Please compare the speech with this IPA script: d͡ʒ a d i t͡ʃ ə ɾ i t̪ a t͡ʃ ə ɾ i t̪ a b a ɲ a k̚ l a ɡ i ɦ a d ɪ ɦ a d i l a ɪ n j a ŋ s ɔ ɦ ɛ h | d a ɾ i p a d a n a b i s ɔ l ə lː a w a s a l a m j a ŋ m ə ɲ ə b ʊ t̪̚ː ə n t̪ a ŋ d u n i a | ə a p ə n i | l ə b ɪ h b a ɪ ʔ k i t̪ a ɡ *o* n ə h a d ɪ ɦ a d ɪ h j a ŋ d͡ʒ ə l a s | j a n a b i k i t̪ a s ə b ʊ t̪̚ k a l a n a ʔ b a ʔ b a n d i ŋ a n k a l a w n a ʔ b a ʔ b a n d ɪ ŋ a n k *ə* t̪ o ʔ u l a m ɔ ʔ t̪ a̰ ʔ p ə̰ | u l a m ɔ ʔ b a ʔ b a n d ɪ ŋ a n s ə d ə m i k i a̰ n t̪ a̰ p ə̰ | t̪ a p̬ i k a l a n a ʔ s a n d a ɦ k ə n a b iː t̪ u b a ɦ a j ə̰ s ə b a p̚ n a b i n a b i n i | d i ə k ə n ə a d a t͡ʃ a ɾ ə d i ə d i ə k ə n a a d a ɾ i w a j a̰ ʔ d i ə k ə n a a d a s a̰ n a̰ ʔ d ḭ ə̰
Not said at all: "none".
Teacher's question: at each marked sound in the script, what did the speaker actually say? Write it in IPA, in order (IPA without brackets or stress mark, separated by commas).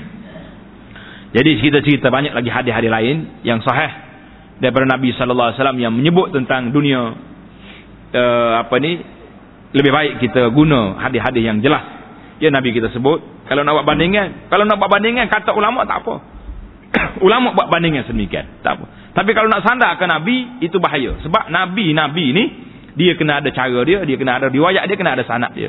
u, a